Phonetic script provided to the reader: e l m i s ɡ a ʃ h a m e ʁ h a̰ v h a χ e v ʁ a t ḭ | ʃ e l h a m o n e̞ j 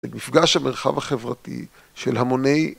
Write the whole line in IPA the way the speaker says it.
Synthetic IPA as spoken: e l m i f ɡ a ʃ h a m e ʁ χ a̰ v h a χ e v ʁ a t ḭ | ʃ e l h a m o n e̞ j